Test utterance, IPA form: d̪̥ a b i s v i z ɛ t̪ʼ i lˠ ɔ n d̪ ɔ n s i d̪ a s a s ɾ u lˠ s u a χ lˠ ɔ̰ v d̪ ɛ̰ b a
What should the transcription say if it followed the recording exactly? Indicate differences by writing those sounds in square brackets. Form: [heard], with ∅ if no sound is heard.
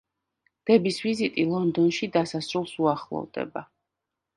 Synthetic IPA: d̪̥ [ɛ] b i s v i z [i] t̪ʼ i lˠ ɔ n d̪ ɔ n [ʃ] i d̪ a s a s ɾ u lˠ s u a χ lˠ ɔ̰ v d̪ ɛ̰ b a